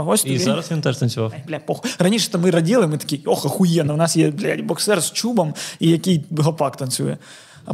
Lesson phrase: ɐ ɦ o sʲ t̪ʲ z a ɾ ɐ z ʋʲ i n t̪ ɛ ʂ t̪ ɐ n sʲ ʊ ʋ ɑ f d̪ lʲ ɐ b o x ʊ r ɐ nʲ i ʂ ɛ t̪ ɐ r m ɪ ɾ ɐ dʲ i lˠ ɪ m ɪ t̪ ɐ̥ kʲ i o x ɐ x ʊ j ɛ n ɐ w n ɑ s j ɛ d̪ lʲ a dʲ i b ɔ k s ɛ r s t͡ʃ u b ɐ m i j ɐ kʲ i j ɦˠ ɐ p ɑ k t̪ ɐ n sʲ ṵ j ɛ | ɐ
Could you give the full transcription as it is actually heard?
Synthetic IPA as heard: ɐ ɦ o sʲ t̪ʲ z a ɾ ɐ s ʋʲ i n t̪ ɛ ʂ t̪ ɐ n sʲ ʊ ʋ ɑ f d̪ lʲ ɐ p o x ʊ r ɐ nʲ i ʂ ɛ t̪ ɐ m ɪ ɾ ɐ dʲ i lˠ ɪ m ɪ t̪ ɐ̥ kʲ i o x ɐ x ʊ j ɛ n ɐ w n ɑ s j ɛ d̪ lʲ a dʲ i b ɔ k s ɛ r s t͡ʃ u b ɐ m i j ɐ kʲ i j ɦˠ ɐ p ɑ k t̪ ɐ n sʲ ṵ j ɛ | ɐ